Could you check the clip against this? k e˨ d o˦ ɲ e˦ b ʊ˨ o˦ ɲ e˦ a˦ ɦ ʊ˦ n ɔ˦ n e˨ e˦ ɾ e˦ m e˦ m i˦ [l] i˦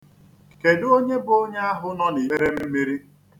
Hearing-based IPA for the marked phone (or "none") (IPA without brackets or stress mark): ɾ